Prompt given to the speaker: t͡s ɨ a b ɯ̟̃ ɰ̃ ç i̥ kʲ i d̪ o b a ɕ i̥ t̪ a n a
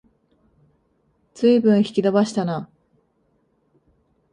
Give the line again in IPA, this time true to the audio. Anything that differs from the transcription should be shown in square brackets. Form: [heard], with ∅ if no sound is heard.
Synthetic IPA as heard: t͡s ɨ [i] b ɯ̟̃ ɰ̃ ç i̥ kʲ i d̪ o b a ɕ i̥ t̪ a n a